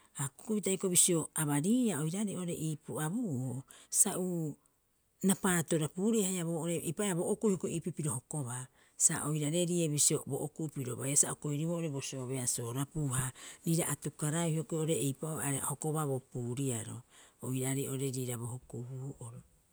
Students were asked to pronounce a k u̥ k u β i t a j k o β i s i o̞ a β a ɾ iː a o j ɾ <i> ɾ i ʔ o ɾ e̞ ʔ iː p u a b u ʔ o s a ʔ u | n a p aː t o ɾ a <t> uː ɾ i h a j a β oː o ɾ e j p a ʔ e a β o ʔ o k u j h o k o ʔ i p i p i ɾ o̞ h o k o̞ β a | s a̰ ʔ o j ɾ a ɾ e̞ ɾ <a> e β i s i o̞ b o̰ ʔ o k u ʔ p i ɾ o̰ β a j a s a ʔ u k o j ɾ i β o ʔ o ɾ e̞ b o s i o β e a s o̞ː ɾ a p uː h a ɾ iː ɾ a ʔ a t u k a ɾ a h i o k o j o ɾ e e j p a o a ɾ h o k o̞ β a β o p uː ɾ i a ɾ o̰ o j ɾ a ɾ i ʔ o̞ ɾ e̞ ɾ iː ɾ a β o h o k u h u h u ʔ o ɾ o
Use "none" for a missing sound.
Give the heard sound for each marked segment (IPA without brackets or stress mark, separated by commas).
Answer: a, p, i